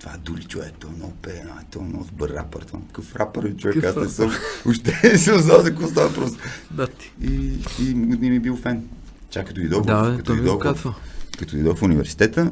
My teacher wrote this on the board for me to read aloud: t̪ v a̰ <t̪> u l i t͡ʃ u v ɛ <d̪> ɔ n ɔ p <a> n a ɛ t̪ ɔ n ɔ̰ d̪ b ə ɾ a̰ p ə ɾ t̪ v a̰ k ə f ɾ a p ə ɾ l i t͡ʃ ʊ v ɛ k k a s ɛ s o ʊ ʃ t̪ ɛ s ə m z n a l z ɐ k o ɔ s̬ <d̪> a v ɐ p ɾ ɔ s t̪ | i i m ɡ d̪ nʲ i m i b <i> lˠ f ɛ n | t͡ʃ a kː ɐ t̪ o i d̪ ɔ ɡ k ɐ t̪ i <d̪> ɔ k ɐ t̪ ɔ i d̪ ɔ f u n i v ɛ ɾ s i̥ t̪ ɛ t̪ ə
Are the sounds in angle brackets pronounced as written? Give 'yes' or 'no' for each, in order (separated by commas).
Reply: no, no, no, no, yes, yes